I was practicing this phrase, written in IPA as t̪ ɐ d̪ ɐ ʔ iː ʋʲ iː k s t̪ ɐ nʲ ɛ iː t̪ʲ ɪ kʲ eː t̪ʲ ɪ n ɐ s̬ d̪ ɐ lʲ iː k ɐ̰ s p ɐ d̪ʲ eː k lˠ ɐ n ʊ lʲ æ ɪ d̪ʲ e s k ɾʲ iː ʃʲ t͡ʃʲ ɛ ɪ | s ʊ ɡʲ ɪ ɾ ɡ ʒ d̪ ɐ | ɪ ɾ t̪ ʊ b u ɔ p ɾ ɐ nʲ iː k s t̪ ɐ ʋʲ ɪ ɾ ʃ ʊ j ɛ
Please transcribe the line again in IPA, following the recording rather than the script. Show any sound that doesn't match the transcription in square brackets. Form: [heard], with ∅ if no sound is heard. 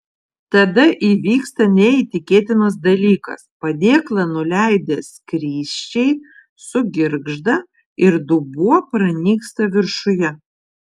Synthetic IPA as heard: t̪ ɐ d̪ ɐ ʔ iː ʋʲ iː k s t̪ ɐ nʲ ɛ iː t̪ʲ ɪ kʲ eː t̪ʲ ɪ n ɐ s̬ d̪ ɐ lʲ iː k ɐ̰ s p ɐ d̪ʲ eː k lˠ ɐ n ʊ lʲ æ ɪ d̪ʲ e s k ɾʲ iː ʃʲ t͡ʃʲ ɛ ɪ | s ʊ ɡʲ ɪ ɾ ɡ ʒ d̪ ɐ | ɪ ɾ [d̪] ʊ b u ɔ p ɾ ɐ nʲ iː k s t̪ ɐ ʋʲ ɪ ɾ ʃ ʊ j ɛ